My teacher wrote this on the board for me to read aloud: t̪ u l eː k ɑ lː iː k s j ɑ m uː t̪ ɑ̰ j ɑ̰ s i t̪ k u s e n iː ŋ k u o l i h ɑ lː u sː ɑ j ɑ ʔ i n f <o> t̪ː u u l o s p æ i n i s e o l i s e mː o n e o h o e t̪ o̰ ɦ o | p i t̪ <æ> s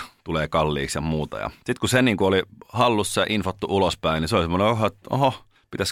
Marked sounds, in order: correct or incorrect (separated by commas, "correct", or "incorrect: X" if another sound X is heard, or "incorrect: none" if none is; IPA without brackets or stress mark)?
correct, correct